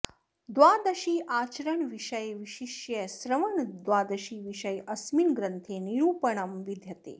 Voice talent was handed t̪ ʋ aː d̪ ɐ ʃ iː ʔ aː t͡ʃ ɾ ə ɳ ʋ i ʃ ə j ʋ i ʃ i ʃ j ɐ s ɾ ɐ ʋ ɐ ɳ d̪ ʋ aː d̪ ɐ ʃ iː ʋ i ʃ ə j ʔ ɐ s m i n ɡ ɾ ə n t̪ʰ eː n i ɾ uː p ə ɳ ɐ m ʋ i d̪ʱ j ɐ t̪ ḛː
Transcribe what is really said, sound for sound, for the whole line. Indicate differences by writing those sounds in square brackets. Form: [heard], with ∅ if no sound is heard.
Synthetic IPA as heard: [d̪] ʋ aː d̪ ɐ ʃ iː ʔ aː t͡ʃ ɾ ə ɳ ʋ i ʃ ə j ʋ i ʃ i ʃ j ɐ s ɾ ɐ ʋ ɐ ɳ d̪ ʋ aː d̪ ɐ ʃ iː ʋ i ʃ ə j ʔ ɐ s m i n ɡ ɾ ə n t̪ʰ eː n i ɾ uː p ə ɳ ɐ m ʋ i d̪ʱ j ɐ t̪ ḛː